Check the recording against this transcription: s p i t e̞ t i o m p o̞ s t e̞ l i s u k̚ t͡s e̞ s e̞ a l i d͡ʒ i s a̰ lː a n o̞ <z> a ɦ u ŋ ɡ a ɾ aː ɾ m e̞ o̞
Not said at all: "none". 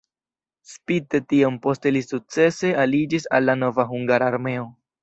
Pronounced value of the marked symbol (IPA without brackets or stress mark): v